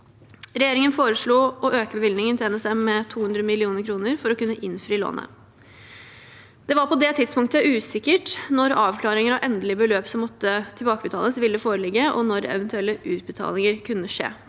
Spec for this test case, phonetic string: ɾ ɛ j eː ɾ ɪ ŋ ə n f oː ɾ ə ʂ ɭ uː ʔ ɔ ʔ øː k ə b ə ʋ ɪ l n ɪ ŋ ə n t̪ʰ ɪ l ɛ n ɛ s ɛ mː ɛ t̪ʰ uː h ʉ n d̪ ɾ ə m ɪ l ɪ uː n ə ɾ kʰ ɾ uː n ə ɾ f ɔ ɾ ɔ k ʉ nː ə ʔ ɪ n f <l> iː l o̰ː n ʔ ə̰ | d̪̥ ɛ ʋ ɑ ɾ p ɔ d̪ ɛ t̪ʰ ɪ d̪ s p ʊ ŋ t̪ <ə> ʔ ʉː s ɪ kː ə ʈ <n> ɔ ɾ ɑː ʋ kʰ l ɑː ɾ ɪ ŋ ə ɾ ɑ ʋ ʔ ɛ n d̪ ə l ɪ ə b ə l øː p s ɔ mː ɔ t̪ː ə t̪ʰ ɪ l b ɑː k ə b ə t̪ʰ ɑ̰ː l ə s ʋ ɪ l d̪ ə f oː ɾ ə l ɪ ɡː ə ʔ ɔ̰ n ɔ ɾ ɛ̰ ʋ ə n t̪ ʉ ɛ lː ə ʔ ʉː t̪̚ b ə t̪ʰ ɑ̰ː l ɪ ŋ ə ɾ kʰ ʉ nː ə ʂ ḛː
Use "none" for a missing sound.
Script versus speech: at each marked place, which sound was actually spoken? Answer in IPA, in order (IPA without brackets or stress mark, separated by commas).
ɾ, ə, n